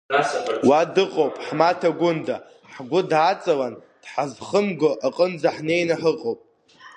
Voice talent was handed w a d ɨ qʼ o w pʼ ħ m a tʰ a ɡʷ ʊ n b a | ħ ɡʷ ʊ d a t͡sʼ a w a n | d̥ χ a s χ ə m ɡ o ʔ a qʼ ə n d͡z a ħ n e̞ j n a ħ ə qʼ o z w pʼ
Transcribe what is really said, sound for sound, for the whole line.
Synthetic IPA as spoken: w a d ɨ qʼ o w pʼ ħ m a tʰ a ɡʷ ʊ n d a | ħ ɡʷ ʊ d a t͡sʼ a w a n | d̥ ħ a z χ ə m ɡ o ʔ a qʼ ə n d͡z a ħ n e̞ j n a ħ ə qʼ o w pʼ